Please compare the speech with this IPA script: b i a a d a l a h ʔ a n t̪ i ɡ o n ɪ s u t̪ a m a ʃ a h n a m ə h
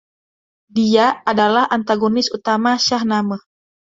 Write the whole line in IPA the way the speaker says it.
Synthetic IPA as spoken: d i a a d a l a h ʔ a n t̪ a ɡ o n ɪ s u t̪ a m a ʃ a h n a m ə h